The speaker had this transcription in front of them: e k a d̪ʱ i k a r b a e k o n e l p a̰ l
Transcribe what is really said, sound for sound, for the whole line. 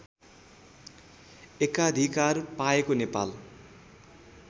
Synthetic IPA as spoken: e k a d̪ʱ i k a r p a e k o n e p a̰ l